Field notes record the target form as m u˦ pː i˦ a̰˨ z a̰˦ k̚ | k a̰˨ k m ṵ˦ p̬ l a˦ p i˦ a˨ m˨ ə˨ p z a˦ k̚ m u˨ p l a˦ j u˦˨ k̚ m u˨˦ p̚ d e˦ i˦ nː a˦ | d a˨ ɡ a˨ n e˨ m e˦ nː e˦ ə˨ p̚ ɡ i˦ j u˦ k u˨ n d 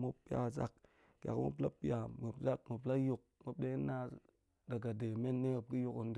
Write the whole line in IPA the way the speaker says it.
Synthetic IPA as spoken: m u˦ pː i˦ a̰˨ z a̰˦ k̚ | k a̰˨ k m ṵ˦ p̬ l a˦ p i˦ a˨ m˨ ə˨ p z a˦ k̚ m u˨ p l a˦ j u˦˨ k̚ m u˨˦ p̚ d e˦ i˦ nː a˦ | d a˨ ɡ a˨ d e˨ m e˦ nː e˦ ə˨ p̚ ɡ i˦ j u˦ k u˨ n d